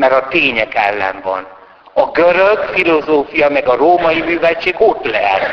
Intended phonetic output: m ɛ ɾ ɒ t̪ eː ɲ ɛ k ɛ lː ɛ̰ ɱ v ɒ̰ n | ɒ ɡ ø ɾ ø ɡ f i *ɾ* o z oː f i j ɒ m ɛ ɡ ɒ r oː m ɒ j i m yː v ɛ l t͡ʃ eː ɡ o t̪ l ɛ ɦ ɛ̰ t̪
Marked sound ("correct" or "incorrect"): incorrect